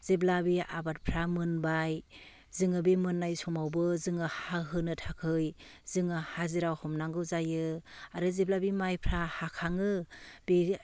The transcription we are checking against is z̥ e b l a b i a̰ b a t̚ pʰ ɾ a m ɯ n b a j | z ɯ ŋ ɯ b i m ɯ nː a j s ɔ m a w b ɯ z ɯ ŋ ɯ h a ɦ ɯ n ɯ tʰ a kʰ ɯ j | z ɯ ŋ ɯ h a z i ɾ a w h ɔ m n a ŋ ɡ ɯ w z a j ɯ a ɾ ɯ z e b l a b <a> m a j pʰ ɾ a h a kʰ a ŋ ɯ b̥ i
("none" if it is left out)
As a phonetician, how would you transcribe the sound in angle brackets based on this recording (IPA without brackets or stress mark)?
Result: i